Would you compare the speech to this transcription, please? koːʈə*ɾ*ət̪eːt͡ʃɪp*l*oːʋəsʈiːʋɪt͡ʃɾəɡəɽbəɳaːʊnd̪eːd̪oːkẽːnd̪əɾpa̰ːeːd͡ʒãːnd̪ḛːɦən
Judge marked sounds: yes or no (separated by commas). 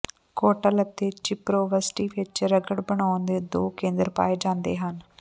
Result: no, no